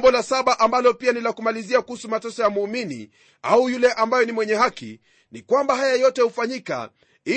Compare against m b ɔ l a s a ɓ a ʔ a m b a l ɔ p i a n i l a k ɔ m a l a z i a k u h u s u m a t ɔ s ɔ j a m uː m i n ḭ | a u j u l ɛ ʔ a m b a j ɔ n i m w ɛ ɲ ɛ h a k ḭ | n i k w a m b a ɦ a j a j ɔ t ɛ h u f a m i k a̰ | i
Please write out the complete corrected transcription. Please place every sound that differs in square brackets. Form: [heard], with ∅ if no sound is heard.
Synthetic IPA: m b ɔ l a s a ɓ a ʔ a m b a l ɔ p i a n i l a k [u] m a l [i] z i a k u h u s u m a t ɔ s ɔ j a m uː m i n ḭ | a u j u l ɛ ʔ a m b a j ɔ n i m w ɛ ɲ ɛ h a k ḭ | n i k w a m b a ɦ a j a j ɔ t ɛ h u f a [ɲ] i k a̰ | i